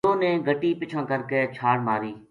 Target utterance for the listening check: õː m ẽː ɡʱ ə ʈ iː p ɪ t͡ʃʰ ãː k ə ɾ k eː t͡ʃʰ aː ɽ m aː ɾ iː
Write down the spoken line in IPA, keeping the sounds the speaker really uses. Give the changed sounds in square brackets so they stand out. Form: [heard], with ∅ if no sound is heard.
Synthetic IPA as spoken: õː [n] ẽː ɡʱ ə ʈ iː p ɪ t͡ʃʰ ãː k ə ɾ k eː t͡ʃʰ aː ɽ m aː ɾ iː